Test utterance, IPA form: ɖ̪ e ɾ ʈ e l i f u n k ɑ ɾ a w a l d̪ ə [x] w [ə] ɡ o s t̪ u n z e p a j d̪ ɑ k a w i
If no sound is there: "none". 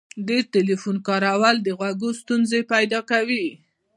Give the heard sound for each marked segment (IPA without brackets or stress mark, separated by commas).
ɣ, a